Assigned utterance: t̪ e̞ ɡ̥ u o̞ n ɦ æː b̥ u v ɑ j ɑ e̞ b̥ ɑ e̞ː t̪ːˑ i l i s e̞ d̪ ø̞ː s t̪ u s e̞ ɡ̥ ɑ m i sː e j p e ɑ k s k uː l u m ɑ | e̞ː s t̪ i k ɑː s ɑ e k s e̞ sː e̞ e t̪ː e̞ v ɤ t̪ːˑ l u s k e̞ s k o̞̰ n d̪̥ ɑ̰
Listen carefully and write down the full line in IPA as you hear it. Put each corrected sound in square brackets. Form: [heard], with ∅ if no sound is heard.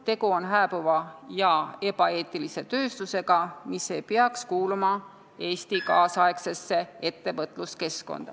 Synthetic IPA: t̪ e̞ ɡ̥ u o̞ n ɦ æː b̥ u v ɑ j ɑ e̞ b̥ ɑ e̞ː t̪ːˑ i l i s e̞ [t̪] ø̞ː s t̪ u s e̞ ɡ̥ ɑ m i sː e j p e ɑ k s k uː l u m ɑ | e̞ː s t̪ i k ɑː s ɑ e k s e̞ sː e̞ e t̪ː e̞ v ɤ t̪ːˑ l u s k e̞ s k o̞̰ n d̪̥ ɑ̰